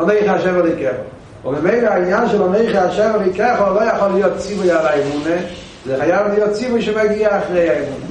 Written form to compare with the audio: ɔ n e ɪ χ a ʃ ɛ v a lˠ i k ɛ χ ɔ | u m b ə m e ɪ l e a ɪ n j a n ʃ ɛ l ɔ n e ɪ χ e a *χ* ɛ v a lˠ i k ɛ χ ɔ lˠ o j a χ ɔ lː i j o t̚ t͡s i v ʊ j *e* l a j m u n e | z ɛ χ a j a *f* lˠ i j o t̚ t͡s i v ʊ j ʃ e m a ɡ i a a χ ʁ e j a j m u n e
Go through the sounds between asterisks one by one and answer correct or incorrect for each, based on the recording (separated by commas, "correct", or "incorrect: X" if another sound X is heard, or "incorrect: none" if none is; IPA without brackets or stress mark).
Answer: incorrect: ʃ, incorrect: a, incorrect: v